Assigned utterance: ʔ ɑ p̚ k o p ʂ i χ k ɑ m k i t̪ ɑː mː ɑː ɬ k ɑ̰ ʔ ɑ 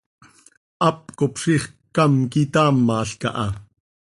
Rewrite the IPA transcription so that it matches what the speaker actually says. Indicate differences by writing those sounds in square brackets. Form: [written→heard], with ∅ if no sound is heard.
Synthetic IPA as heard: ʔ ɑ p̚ k o p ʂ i χ k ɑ m k i t̪ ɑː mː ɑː ɬ k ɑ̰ ʔ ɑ